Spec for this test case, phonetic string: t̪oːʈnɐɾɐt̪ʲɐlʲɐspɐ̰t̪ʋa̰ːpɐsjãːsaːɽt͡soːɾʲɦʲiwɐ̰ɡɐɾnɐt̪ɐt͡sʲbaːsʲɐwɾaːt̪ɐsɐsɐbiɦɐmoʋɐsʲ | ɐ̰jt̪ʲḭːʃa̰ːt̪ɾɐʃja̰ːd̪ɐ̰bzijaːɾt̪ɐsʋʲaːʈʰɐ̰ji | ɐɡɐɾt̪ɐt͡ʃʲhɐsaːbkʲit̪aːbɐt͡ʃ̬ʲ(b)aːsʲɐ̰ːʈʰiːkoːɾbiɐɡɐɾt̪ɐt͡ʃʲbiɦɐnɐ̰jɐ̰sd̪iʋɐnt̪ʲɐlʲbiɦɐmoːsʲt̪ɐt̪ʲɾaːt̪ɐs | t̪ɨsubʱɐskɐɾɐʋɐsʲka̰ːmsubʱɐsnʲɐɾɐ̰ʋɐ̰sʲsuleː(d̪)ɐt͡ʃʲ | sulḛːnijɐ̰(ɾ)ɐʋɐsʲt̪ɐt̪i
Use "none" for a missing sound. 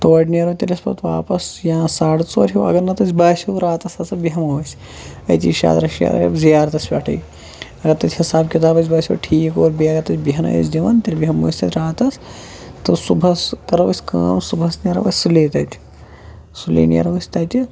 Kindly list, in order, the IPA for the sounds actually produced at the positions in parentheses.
b, t̪, ɾ

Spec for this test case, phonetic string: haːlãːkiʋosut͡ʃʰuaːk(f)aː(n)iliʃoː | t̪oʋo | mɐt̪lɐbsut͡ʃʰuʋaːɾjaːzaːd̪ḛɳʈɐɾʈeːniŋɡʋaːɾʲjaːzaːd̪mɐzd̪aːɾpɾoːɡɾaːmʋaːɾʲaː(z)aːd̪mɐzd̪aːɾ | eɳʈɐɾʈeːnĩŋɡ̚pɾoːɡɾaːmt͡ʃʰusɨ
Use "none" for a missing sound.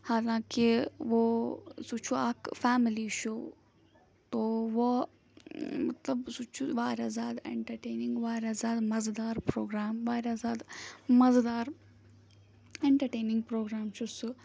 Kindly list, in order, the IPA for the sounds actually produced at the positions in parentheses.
f, m, z

